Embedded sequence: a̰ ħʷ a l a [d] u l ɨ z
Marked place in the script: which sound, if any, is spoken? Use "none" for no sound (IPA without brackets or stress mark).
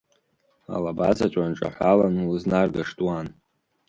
n